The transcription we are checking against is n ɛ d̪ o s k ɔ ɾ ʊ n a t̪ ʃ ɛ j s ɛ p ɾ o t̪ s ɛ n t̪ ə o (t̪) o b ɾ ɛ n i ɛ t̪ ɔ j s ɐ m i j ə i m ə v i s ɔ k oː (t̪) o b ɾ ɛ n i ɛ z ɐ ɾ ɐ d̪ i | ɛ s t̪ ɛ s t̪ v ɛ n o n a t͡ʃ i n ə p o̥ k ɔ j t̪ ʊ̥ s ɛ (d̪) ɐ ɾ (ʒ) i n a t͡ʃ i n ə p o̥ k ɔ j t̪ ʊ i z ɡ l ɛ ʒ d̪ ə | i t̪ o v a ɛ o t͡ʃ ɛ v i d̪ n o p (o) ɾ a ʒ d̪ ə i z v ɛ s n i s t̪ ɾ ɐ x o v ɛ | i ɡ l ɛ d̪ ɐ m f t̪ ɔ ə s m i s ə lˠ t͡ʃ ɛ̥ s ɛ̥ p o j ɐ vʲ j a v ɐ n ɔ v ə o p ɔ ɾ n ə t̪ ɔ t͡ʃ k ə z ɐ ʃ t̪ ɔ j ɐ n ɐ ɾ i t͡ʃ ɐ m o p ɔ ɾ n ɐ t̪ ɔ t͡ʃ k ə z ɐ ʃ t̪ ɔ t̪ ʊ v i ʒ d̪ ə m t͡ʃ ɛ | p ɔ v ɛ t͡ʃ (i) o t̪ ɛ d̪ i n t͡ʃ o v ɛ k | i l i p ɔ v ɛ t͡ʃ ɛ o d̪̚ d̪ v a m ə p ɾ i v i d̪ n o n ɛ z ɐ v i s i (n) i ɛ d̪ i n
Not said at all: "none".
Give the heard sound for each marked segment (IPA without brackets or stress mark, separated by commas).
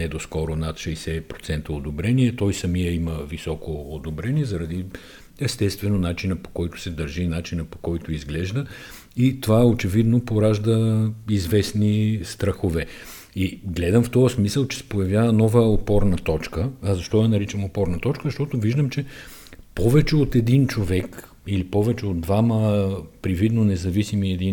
d̪, d̪, d̪, ʒ, o, ɛ, m